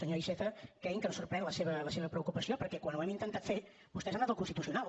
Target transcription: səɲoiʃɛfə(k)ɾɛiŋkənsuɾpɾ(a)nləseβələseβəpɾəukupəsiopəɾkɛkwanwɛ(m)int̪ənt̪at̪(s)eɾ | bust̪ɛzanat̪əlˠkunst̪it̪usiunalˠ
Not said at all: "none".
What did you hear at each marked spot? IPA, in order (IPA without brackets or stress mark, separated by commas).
k, ɛ, m, f